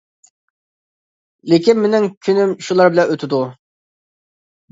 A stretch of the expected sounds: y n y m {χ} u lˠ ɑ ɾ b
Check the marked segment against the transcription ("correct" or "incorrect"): incorrect